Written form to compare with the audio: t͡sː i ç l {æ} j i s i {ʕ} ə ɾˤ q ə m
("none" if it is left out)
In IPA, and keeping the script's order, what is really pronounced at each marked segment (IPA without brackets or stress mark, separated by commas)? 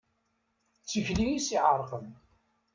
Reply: i, ʕ